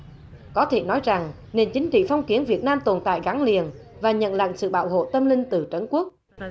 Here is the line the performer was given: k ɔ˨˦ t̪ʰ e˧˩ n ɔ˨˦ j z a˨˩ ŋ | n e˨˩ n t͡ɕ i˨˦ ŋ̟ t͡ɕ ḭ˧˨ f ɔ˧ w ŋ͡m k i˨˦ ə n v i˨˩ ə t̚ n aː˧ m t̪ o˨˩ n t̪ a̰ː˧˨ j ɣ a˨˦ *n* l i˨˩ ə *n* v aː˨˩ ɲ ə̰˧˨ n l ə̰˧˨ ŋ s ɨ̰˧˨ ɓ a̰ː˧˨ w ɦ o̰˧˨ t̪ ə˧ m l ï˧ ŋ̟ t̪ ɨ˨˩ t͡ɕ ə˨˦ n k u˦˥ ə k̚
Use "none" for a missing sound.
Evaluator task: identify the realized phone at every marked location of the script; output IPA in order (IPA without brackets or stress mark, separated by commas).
ŋ, n